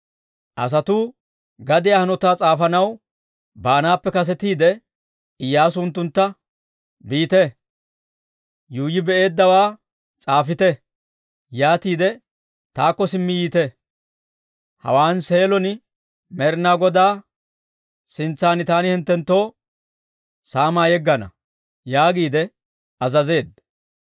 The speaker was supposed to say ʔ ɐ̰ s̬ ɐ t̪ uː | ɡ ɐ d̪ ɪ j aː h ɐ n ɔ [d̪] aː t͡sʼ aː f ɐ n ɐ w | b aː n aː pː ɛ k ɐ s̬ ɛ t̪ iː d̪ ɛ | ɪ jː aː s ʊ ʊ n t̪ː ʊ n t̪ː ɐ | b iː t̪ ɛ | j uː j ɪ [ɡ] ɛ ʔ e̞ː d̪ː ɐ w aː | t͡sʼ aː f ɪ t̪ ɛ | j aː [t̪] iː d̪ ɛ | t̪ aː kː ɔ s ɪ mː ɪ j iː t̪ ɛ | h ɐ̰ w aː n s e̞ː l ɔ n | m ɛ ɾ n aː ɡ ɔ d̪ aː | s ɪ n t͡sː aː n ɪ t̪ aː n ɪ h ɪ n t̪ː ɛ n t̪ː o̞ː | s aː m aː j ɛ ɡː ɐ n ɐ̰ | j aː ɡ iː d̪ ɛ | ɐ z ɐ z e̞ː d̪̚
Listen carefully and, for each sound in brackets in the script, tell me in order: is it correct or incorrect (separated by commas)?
incorrect, incorrect, correct